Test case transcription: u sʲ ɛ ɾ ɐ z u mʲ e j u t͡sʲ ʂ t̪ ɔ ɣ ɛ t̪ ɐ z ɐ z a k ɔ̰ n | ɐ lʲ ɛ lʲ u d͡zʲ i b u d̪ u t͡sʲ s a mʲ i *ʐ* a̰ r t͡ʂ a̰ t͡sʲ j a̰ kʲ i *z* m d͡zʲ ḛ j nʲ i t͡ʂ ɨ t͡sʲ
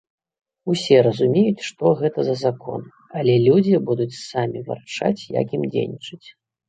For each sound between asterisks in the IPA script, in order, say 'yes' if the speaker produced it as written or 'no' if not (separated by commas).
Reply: no, no